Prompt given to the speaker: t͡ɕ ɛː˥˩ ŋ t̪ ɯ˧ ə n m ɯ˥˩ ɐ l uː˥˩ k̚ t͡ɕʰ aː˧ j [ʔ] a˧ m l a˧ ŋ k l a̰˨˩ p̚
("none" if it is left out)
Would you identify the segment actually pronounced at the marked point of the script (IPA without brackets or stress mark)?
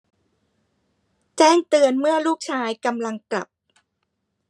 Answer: k